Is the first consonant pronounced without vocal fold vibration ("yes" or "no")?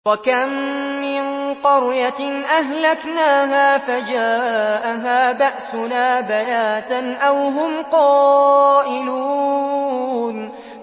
no